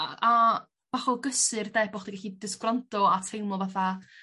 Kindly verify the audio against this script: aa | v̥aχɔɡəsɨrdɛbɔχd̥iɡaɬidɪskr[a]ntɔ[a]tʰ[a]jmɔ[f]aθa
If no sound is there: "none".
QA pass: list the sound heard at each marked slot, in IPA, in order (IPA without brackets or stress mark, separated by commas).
a, a, e, v